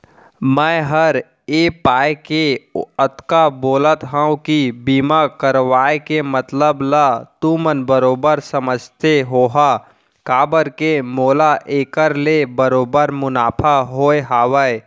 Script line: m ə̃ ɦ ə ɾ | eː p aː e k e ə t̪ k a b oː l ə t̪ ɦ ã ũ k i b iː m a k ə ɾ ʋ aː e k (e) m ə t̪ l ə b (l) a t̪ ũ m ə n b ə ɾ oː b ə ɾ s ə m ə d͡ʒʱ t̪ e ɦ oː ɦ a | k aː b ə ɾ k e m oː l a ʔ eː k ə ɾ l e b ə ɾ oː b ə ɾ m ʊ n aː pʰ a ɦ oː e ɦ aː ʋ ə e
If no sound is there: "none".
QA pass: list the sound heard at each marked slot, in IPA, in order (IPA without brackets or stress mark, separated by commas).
e, l